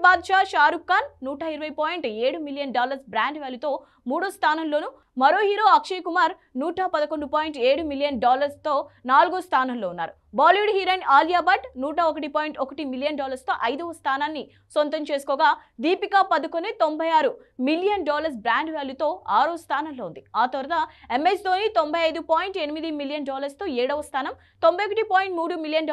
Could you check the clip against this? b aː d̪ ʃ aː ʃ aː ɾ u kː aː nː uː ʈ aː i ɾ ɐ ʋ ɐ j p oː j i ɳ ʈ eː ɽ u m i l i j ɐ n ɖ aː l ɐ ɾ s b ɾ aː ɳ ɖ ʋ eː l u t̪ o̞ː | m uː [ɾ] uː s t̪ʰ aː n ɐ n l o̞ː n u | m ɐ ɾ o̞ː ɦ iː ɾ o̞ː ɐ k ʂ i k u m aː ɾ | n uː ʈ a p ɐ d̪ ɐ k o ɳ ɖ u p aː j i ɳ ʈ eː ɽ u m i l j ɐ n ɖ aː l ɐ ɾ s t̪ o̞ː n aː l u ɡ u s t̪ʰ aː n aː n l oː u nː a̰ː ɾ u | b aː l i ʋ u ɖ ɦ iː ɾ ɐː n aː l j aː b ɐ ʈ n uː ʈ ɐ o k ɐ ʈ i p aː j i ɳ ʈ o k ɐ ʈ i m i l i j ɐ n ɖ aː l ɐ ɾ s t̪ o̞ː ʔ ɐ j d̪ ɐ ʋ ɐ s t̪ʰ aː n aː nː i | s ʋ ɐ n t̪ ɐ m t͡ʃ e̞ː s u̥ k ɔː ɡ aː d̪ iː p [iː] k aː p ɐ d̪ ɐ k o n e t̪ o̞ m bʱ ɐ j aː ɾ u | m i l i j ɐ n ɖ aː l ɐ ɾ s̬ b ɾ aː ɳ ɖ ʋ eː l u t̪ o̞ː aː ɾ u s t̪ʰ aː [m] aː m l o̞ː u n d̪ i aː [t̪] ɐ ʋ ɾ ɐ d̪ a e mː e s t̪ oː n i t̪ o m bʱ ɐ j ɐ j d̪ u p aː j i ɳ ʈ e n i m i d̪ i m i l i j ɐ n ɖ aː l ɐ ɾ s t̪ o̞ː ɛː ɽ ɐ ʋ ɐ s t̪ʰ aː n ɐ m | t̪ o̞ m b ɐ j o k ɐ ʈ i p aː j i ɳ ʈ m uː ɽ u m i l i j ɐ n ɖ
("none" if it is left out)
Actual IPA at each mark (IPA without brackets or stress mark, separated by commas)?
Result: ɽ, i, n, t̪